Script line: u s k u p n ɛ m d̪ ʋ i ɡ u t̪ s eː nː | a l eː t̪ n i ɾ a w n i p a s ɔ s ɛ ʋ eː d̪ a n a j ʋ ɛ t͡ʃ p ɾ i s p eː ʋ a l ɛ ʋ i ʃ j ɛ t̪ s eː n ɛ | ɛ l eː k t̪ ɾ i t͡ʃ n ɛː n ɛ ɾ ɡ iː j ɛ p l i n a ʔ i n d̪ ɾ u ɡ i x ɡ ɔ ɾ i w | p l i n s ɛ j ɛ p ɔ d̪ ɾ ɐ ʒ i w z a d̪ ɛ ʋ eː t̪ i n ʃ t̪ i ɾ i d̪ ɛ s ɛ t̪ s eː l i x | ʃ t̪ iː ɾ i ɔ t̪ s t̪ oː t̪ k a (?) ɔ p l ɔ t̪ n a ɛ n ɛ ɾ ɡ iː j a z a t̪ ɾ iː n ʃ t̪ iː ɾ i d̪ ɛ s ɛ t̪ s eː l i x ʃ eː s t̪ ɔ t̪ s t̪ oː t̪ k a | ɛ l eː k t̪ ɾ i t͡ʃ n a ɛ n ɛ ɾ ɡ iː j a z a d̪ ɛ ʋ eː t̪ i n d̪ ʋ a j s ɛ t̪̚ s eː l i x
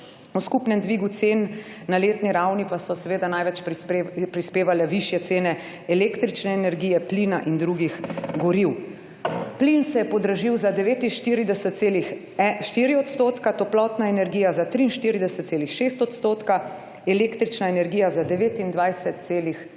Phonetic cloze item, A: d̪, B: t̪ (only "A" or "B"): B